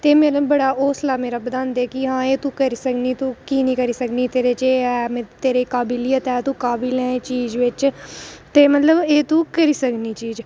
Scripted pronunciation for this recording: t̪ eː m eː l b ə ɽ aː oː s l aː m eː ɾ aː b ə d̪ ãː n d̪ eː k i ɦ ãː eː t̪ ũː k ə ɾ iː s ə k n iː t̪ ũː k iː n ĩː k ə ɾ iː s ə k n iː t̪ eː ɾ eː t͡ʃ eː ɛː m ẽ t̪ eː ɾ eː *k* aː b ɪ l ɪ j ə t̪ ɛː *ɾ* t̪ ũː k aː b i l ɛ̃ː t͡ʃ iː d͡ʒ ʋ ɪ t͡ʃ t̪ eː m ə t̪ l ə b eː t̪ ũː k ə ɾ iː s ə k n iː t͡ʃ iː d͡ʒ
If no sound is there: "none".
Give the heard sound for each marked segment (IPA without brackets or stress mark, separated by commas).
k, none